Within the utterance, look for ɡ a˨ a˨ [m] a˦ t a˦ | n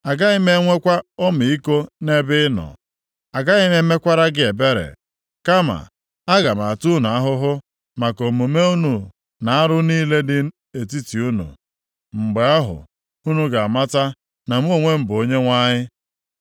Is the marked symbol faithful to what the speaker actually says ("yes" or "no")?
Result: yes